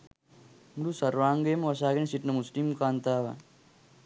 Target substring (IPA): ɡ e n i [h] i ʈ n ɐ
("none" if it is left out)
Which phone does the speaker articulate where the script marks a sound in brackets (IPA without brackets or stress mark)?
s